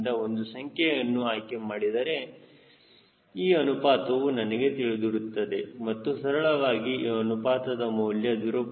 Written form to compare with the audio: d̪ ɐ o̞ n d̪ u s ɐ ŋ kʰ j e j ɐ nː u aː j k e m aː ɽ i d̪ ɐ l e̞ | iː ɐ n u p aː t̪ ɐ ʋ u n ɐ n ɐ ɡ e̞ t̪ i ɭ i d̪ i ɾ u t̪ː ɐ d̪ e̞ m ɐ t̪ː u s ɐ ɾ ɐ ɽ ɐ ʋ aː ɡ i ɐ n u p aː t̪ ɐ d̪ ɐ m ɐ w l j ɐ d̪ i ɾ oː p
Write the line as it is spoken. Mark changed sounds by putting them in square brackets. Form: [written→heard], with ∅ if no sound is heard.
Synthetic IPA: d̪ ɐ o̞ n d̪ u s ɐ ŋ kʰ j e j ɐ nː u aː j k e m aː ɽ i d̪ ɐ [l→ɾ] e̞ | iː ɐ n u p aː t̪ ɐ ʋ u n ɐ n ɐ ɡ e̞ t̪ i ɭ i d̪ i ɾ u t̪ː ɐ d̪ e̞ m ɐ t̪ː u s ɐ ɾ ɐ [ɽ→ɭ] ɐ ʋ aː ɡ i ɐ n u p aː t̪ ɐ d̪ ɐ m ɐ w l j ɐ d̪ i ɾ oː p